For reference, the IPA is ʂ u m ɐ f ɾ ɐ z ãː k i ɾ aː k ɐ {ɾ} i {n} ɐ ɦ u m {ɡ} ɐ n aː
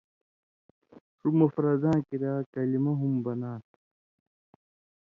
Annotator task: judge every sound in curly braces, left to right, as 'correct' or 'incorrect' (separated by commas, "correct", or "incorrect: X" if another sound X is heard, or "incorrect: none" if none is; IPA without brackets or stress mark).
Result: incorrect: l, incorrect: m, incorrect: b